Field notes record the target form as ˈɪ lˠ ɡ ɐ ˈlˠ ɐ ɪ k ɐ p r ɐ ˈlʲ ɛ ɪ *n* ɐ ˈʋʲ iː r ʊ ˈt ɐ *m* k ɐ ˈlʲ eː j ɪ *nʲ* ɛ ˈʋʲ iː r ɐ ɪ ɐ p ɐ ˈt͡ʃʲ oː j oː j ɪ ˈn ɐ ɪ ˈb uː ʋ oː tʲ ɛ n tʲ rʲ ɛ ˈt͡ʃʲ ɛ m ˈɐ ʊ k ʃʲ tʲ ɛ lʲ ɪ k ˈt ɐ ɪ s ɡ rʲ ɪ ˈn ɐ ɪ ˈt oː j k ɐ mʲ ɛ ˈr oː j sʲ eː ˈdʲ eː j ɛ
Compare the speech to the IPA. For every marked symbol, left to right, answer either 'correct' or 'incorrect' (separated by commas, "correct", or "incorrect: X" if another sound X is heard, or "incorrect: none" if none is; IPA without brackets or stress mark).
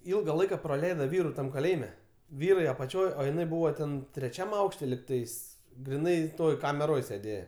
incorrect: d, correct, incorrect: mʲ